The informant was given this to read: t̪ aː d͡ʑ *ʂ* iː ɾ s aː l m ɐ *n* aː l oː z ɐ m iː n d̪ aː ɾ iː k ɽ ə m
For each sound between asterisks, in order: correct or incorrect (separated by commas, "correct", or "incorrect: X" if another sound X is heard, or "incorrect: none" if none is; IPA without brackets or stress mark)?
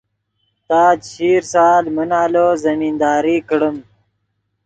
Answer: incorrect: ɕ, correct